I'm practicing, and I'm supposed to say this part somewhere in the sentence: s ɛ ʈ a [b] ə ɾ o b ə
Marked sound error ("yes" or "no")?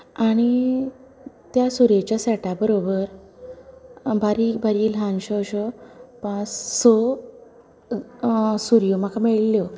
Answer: no